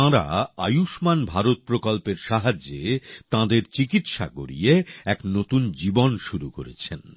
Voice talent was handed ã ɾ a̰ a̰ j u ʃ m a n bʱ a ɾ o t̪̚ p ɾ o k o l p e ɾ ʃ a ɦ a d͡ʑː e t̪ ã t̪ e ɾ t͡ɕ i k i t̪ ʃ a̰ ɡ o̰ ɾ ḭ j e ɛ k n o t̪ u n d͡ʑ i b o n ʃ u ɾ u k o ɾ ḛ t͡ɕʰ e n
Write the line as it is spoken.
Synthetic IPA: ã ɾ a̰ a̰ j u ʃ m a n bʱ a ɾ o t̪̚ p ɾ o k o l p e ɾ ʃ a ɦ a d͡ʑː e t̪ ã d̪ e ɾ t͡ɕ i k i t̪ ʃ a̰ ɡ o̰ ɾ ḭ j e ɛ k n o t̪ u n d͡ʑ i b o n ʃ u ɾ u k o ɾ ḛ t͡ɕʰ e n